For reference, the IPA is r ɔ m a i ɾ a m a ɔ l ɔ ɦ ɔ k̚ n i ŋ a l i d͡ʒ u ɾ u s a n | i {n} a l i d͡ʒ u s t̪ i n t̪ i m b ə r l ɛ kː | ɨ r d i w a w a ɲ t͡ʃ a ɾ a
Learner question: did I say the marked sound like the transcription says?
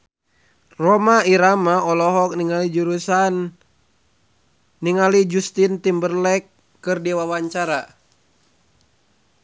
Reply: no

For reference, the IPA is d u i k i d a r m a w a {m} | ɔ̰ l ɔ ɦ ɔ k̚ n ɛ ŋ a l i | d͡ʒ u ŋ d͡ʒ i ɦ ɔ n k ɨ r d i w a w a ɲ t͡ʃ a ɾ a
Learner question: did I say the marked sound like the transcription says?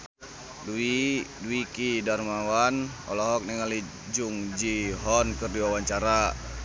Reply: no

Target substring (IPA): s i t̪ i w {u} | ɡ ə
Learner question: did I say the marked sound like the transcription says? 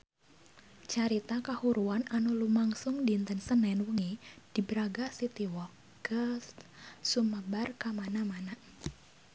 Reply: no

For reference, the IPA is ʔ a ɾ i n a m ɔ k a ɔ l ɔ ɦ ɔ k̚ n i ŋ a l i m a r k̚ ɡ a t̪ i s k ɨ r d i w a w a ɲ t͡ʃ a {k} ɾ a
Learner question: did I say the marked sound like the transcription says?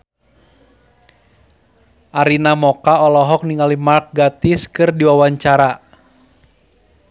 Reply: no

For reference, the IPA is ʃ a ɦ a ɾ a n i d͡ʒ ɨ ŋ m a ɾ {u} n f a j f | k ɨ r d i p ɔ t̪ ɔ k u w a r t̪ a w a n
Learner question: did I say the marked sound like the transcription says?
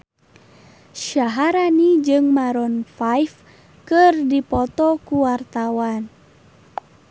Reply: no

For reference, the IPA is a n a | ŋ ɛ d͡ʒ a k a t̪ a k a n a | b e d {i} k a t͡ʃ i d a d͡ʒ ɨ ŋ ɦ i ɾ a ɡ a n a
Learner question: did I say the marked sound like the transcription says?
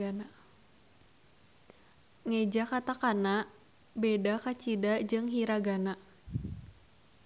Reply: no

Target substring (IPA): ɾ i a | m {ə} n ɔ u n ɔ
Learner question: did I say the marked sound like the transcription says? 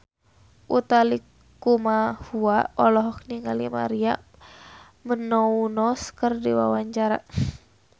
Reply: yes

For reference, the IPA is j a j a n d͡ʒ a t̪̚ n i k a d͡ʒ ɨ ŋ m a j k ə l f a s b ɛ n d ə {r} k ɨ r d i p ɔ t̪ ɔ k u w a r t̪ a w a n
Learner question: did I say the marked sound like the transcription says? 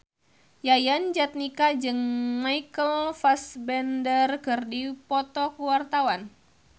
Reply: yes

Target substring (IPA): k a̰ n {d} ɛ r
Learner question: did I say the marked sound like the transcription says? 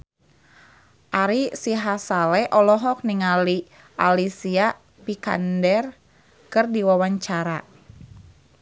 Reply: yes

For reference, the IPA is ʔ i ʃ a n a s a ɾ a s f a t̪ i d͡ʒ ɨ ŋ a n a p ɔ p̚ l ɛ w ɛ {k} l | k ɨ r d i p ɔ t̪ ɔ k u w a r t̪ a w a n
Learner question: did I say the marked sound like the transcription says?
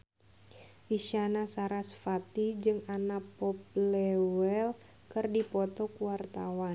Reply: no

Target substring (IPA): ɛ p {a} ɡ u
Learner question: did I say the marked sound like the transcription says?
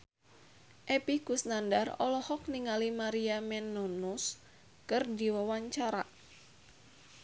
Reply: no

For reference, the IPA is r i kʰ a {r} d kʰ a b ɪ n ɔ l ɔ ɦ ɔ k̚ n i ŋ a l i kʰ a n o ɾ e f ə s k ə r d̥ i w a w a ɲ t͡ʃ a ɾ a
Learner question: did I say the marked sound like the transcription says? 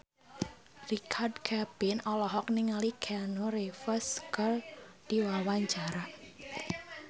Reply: yes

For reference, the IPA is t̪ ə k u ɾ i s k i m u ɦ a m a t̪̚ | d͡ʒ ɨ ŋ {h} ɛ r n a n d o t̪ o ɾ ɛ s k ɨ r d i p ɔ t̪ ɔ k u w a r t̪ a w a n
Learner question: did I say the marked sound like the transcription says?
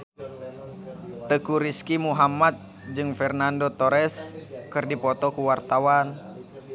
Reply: no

